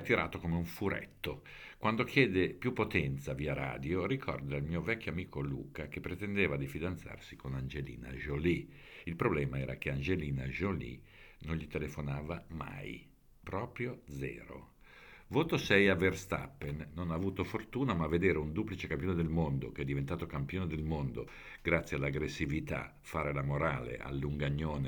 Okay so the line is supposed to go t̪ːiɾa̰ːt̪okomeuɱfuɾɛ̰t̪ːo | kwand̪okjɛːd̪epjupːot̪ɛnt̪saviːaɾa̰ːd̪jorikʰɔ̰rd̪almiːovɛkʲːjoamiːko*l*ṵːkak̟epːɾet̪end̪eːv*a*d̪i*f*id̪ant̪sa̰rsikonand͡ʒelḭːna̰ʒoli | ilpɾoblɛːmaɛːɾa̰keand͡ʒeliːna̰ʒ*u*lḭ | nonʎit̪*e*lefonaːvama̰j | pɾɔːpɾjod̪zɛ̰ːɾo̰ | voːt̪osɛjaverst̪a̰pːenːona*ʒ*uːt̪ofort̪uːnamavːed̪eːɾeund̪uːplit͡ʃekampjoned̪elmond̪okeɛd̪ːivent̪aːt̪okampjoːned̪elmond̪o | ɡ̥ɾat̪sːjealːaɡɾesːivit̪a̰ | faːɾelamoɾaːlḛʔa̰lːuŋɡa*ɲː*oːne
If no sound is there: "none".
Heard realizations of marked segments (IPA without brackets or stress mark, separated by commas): l, a, f, o, e, v, ɲː